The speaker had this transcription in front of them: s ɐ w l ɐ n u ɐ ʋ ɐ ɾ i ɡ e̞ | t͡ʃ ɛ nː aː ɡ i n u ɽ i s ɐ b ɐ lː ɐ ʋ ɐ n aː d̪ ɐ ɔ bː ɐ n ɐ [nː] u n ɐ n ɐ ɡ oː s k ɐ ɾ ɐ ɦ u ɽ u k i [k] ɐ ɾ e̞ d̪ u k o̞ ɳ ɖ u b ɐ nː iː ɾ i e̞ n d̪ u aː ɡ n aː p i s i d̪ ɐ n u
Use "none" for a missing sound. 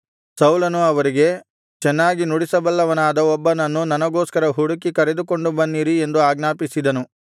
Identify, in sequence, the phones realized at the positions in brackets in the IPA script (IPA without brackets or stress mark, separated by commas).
nː, k